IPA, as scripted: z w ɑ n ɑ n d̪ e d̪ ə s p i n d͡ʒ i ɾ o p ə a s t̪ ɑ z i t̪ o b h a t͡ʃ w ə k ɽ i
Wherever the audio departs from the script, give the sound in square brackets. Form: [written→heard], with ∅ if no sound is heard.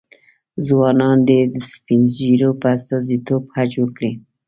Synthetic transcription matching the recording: z w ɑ n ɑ n d̪ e d̪ ə s p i n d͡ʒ i ɾ o p ə a s t̪ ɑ z i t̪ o b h a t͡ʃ w ə k ɽ i